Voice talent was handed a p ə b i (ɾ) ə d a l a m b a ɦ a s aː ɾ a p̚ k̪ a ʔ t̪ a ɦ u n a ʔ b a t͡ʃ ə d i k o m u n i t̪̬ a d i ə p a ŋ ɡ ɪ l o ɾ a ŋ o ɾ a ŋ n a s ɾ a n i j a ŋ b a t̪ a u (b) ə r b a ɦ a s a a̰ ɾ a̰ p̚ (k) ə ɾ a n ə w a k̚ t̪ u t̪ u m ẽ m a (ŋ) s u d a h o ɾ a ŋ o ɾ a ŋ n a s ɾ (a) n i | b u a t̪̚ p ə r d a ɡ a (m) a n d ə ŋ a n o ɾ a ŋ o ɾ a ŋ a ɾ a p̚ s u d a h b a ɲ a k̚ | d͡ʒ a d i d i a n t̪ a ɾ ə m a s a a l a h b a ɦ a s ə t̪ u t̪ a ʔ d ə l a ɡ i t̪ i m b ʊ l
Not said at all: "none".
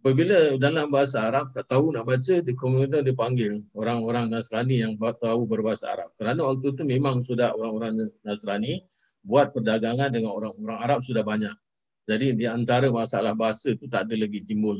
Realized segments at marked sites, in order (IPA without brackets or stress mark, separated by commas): l, b, k, ŋ, a, ŋ